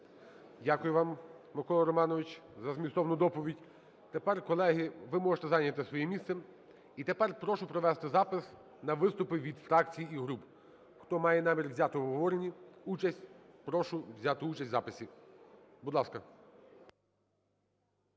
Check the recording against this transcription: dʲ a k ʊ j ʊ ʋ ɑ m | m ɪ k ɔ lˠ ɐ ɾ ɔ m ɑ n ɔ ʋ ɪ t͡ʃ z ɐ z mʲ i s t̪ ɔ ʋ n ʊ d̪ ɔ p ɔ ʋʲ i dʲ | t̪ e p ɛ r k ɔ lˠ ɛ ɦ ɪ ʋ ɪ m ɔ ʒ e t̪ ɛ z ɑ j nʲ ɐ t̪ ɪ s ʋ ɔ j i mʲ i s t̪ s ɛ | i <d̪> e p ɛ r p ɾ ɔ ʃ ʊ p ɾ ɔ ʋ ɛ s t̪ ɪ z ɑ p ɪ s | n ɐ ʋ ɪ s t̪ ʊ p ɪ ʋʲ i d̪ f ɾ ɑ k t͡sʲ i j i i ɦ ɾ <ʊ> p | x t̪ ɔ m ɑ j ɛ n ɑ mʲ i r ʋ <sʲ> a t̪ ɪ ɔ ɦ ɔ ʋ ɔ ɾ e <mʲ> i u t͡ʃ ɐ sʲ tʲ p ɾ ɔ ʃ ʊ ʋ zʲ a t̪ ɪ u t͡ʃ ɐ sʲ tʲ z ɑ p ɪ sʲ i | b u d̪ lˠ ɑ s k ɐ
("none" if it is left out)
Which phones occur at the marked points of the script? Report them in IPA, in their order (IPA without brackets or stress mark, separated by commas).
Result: t̪, u, zʲ, nʲ